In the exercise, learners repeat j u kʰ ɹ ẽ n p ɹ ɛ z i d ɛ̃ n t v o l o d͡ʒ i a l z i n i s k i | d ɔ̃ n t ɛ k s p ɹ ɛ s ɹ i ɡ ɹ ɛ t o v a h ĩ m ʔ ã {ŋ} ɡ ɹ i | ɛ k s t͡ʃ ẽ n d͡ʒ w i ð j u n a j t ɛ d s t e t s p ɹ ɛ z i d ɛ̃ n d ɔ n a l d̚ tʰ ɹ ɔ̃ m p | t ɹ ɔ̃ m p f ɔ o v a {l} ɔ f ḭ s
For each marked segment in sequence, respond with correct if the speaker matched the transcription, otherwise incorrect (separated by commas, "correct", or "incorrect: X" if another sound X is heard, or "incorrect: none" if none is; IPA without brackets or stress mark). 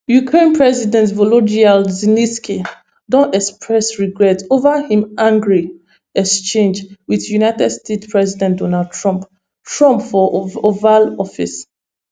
correct, correct